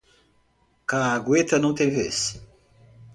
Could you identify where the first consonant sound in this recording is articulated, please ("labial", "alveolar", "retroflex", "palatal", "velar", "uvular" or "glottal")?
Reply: velar